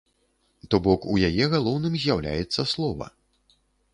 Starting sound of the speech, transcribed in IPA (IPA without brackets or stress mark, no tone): t̪